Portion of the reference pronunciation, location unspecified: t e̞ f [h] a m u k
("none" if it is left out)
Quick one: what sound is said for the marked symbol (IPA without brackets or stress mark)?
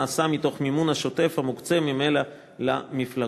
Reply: h